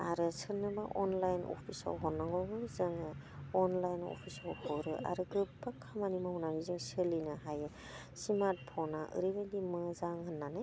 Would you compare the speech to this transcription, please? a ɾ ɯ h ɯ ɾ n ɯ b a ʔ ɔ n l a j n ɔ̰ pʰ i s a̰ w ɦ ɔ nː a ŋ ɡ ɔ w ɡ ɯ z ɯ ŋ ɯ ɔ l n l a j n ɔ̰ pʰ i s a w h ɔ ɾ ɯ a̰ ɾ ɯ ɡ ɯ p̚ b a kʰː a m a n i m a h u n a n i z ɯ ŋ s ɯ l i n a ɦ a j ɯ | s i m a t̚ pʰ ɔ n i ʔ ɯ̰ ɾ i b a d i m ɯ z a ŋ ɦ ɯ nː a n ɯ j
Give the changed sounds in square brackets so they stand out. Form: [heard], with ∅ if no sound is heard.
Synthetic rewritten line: a ɾ ɯ [s] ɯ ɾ n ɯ b a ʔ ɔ n l a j n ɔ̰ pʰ i s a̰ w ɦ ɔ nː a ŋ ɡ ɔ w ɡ ɯ z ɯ ŋ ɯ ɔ [∅] n l a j n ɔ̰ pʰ i s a w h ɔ ɾ ɯ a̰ ɾ ɯ ɡ ɯ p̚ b a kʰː a m a n i m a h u n a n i z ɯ ŋ s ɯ l i n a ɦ a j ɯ | s i m a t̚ pʰ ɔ n [a] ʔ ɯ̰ ɾ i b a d i m ɯ z a ŋ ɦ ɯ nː a n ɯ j